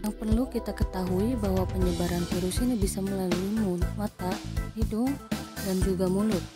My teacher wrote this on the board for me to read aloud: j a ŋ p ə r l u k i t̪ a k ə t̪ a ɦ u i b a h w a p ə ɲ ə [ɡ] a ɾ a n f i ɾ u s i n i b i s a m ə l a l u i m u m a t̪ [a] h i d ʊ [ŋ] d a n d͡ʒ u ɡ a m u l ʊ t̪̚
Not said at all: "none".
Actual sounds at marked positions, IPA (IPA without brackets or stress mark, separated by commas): b, a, ŋ